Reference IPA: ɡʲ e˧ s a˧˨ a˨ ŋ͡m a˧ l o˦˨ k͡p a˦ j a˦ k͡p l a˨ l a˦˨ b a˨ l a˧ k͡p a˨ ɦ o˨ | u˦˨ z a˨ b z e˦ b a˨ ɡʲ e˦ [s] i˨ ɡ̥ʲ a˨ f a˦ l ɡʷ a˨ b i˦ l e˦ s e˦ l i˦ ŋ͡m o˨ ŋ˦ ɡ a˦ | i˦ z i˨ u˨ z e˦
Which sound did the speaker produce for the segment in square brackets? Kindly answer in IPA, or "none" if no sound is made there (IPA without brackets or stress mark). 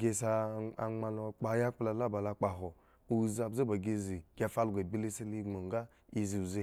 z